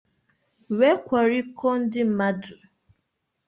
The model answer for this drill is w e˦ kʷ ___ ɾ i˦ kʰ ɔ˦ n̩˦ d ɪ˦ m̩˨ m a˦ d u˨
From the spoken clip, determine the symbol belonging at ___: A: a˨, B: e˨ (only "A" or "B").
A